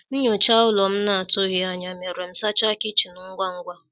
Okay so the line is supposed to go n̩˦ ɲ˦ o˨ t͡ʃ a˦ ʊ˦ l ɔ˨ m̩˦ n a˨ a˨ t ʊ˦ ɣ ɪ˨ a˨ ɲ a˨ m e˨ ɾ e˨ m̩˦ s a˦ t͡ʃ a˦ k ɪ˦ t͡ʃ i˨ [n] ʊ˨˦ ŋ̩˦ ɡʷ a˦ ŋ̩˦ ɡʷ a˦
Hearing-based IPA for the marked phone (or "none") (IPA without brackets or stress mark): n